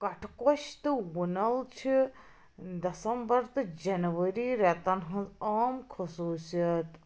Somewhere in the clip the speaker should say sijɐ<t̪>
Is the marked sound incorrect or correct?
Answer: correct